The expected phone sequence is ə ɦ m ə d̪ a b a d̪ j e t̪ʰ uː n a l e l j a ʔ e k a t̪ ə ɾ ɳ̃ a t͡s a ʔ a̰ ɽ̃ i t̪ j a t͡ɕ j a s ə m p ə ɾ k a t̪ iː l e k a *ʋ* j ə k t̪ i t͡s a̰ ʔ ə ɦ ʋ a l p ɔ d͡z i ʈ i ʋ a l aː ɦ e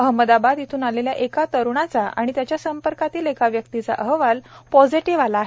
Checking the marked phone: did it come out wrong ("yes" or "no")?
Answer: no